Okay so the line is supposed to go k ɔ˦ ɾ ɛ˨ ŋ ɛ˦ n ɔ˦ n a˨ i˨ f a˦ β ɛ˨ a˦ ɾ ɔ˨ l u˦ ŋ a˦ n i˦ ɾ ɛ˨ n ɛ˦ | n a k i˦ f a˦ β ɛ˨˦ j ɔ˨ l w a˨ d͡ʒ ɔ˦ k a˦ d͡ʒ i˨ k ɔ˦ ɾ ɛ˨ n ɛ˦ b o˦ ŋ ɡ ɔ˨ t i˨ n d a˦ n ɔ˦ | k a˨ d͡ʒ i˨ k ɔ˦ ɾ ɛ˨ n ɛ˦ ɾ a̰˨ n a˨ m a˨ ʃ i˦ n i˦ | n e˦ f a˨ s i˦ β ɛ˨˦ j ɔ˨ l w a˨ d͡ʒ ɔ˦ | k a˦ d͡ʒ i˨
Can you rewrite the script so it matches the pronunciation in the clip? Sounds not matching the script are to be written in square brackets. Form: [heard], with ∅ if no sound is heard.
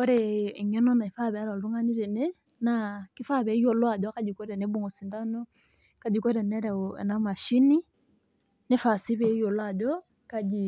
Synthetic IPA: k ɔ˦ ɾ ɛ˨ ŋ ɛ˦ n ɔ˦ n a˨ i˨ f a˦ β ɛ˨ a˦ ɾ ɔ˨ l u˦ ŋ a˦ n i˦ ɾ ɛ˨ n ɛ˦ | n a k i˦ f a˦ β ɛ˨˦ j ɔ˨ l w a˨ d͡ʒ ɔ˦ k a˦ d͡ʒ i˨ k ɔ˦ ɾ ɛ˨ n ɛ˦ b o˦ ŋ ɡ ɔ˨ [s] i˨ n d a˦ n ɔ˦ | k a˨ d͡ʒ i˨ k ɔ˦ ɾ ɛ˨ n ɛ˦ ɾ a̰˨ n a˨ m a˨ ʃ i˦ n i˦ | n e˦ f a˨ s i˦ β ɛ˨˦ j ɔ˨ l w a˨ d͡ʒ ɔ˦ | k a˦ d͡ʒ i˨

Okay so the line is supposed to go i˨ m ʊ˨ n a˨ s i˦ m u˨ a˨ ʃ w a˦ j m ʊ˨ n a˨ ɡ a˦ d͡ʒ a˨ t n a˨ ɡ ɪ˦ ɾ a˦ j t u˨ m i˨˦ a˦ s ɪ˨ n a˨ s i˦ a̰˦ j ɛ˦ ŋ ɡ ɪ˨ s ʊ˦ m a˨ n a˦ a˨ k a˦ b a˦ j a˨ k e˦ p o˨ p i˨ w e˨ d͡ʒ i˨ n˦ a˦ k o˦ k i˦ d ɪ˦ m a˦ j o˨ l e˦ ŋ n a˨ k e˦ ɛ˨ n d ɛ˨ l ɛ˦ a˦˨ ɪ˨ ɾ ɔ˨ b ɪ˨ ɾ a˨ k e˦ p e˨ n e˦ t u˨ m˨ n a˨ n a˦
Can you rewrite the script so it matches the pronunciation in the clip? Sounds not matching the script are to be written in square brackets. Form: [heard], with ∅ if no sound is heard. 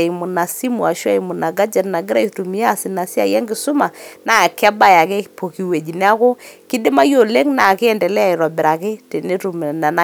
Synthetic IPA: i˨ m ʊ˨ n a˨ s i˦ m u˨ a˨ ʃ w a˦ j m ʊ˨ n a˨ ɡ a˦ d͡ʒ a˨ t n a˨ ɡ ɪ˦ ɾ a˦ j t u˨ m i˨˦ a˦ s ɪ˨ n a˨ s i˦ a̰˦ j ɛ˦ ŋ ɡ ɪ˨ s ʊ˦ m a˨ n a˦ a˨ k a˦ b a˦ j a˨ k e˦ p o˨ [k] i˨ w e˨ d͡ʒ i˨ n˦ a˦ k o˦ k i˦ d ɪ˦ m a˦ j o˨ l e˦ ŋ n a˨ k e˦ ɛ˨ n d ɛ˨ l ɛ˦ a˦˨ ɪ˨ ɾ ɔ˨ b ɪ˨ ɾ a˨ k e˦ [t] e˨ n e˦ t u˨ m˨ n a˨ n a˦

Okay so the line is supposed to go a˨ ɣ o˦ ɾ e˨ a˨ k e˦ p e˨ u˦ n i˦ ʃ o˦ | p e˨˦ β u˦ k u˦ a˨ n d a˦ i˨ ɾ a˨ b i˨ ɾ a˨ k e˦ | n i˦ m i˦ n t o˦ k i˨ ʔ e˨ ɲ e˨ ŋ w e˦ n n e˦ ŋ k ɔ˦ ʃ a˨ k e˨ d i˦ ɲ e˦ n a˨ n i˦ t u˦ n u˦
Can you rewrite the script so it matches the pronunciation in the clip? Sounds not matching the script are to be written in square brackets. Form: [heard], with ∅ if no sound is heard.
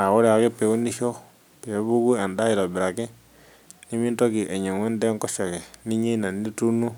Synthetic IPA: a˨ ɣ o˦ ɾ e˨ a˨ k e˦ p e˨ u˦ n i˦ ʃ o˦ | p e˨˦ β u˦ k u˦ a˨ n d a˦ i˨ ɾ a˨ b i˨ ɾ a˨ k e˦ | n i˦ m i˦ n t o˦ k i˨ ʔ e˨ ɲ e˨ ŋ w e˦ n [d] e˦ ŋ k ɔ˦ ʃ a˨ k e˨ [n] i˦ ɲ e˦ n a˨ n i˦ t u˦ n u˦

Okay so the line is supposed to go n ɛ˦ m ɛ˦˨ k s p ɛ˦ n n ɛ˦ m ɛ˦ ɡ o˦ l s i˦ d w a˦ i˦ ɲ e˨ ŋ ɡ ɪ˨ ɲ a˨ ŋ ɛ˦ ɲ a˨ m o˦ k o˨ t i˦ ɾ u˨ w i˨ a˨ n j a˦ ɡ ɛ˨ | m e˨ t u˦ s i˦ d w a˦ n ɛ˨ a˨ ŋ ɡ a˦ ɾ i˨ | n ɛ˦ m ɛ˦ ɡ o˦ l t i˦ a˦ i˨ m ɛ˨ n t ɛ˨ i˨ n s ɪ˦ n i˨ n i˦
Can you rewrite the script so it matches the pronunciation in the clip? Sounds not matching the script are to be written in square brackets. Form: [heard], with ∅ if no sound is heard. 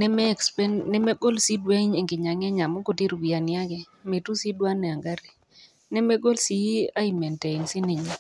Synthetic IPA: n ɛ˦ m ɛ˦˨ k s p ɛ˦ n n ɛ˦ m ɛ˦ ɡ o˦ l s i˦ d w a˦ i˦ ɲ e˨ ŋ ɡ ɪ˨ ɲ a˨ ŋ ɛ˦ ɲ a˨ m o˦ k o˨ t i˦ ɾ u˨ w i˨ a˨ n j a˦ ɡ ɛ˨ | m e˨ t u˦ s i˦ d w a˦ n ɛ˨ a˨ ŋ ɡ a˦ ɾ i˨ | n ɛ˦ m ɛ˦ ɡ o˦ l [s] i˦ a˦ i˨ m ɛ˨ n t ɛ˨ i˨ n s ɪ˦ n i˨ [ɲ] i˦

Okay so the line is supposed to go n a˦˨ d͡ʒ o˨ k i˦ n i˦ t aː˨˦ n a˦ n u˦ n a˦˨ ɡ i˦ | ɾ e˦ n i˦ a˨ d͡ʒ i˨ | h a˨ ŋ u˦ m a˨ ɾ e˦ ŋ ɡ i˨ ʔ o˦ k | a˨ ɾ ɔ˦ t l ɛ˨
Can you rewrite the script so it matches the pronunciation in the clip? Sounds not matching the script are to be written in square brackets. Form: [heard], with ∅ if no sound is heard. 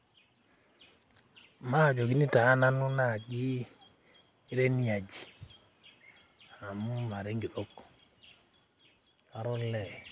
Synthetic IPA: [m] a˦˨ d͡ʒ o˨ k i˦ n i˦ t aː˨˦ n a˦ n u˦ n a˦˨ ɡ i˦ | ɾ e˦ n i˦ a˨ d͡ʒ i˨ | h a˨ [m] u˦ m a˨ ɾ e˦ ŋ ɡ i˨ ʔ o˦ k | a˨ ɾ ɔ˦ [∅] l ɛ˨

